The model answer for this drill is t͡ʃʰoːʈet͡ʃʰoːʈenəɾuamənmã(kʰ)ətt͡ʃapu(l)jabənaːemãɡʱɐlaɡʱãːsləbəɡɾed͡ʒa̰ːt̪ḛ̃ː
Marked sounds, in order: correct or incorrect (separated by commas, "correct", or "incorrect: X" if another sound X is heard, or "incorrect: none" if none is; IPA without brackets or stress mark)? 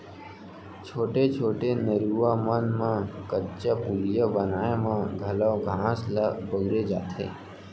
incorrect: k, correct